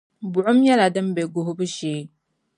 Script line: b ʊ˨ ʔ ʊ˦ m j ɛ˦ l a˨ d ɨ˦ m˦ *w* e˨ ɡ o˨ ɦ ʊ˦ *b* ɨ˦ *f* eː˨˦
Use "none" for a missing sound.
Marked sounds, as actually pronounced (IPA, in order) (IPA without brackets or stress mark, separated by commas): b, b, ʃ